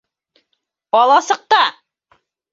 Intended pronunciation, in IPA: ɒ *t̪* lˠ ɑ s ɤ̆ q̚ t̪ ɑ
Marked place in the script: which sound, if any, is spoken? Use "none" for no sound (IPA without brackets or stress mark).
none